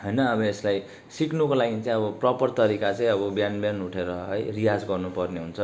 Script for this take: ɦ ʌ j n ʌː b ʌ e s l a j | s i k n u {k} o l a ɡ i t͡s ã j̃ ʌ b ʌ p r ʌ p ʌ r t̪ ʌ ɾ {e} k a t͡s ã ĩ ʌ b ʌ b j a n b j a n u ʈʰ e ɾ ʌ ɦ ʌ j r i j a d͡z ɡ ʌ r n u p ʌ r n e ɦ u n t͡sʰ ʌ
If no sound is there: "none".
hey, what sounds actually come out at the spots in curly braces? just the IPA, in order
k, i

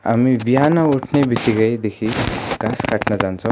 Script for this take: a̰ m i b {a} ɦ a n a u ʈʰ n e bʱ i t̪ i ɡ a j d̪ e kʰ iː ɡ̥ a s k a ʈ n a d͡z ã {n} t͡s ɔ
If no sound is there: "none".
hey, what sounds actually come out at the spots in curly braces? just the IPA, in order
i, n

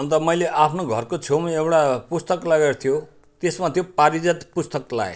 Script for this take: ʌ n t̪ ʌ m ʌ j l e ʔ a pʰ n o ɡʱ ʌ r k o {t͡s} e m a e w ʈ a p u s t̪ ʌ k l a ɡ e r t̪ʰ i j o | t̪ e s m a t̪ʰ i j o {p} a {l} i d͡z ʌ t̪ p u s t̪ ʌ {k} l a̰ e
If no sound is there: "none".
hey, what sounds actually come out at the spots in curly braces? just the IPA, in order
t͡sʰ, p, ɾ, k

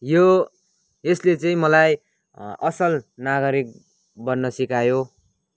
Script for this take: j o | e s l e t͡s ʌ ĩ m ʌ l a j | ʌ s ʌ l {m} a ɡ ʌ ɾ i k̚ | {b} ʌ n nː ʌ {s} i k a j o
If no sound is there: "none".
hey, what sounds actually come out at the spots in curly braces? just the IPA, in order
n, b, s

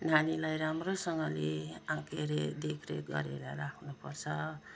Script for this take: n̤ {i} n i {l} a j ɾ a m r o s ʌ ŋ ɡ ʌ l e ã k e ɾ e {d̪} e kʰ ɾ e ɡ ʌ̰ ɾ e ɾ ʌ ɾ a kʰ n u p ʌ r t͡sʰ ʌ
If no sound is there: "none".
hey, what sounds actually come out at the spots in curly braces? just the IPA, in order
a, l, d̪

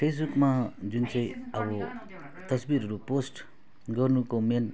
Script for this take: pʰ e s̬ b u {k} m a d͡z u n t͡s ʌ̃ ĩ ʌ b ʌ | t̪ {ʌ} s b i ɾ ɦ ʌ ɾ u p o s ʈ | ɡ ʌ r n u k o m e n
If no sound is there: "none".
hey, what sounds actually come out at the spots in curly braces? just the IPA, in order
k, ʌ

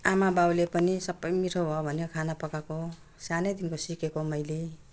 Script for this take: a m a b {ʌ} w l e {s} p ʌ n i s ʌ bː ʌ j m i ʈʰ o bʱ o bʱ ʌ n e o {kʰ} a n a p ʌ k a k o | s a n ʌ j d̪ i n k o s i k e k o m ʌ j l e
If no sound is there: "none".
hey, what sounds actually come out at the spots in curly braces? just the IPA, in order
a, none, kʰ

